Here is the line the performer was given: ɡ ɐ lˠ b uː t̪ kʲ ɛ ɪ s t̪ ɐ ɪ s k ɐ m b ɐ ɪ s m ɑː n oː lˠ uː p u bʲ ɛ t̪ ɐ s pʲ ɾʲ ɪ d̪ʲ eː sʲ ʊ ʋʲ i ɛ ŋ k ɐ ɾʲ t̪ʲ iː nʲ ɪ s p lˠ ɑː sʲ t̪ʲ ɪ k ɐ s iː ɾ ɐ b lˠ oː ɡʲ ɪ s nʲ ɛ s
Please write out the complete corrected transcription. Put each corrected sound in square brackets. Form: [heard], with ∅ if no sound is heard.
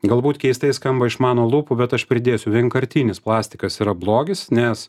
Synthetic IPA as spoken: ɡ ɐ lˠ b uː t̪ kʲ ɛ ɪ s t̪ ɐ ɪ s k ɐ m b ɐ ɪ [ʃ] m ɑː n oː lˠ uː p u bʲ ɛ t̪ ɐ [ʃ] pʲ ɾʲ ɪ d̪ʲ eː sʲ ʊ ʋʲ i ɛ ŋ k ɐ ɾʲ t̪ʲ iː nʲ ɪ s p lˠ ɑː sʲ t̪ʲ ɪ k ɐ s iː ɾ ɐ b lˠ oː ɡʲ ɪ s nʲ ɛ s